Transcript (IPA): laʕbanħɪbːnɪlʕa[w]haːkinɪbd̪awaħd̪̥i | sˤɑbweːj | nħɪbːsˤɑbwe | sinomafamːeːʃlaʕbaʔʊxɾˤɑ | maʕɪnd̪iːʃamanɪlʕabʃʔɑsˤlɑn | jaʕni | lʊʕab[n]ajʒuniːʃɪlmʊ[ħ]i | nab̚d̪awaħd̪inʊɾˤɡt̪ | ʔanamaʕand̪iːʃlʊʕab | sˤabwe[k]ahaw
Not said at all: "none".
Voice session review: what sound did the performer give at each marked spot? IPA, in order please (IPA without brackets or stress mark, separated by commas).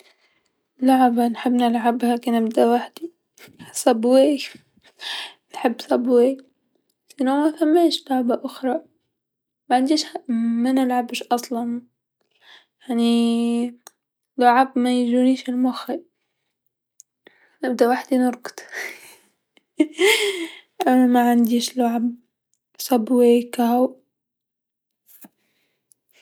b, m, x, k